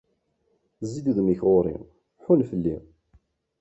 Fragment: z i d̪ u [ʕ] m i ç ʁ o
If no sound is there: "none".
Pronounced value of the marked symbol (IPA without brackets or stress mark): ð